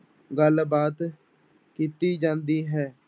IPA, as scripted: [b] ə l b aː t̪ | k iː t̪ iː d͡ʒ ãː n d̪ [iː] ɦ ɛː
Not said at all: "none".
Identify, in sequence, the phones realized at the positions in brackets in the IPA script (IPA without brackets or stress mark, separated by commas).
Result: ɡ, iː